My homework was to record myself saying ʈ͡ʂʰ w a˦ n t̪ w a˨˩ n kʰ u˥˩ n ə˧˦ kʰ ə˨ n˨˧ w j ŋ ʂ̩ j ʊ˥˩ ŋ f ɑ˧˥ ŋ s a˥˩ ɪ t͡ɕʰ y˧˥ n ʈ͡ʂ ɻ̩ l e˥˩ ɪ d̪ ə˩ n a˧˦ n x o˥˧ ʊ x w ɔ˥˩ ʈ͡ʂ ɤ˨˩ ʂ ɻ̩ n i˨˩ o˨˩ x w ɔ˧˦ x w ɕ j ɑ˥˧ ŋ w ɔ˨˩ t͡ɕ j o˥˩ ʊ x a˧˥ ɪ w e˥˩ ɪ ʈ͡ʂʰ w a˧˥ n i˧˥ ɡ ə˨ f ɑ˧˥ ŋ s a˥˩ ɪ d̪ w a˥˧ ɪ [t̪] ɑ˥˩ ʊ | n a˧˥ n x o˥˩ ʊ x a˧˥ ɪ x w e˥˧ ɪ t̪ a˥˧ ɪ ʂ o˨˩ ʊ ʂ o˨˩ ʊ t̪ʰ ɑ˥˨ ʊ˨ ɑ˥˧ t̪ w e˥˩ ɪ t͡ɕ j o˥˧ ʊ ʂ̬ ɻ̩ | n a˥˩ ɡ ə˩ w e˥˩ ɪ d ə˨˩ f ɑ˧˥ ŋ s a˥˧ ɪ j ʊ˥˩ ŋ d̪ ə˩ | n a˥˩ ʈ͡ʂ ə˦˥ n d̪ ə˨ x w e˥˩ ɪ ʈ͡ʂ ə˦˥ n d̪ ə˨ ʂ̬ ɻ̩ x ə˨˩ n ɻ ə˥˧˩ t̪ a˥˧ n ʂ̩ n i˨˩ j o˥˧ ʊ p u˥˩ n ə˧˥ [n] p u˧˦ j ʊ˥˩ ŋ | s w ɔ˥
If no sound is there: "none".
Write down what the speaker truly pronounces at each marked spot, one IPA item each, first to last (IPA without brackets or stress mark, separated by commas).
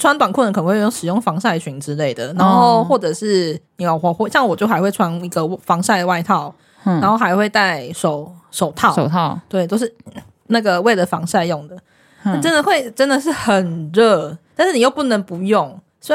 t̪ʰ, ŋ